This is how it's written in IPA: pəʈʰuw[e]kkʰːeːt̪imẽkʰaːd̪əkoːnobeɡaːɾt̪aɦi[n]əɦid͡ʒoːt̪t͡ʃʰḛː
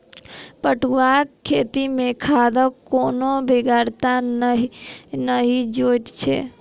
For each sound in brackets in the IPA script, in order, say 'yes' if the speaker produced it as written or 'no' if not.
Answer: no, yes

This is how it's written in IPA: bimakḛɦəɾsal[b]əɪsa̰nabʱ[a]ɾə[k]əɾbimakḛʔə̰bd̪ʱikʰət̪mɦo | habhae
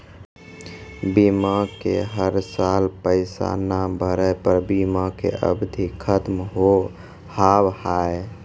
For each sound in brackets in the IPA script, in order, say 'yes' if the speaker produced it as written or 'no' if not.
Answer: no, no, no

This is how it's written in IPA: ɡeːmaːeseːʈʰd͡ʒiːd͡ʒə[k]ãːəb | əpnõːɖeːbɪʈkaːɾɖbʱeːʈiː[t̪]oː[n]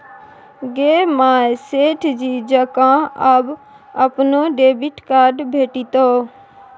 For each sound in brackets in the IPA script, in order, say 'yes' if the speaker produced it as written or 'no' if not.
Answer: yes, yes, no

